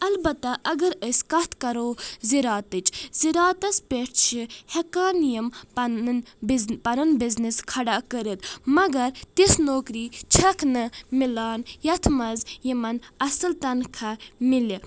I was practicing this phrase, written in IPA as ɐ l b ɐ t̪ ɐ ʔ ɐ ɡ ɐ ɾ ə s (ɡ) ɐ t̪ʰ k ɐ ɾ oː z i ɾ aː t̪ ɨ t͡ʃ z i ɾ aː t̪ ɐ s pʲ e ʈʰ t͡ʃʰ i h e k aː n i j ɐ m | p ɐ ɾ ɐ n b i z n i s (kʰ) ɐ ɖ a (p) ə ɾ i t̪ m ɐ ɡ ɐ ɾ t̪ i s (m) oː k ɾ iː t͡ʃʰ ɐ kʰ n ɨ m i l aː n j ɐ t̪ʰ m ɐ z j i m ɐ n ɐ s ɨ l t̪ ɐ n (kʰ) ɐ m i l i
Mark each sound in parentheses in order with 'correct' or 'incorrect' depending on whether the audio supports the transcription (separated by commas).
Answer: incorrect, correct, incorrect, incorrect, correct